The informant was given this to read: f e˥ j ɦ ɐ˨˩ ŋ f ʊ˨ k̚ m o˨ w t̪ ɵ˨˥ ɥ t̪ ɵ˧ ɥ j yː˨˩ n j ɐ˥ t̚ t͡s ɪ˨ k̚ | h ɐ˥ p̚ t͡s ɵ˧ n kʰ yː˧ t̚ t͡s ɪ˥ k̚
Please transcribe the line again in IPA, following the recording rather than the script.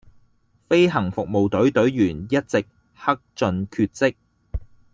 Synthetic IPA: f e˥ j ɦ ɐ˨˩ ŋ f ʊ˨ k̚ m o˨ w t̪ ɵ˨˥ ɥ t̪ ɵ˨˥ ɥ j yː˨˩ n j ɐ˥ t̚ t͡s ɪ˨ k̚ | h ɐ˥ k̚ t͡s ɵ˧ n kʰ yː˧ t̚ t͡s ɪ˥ k̚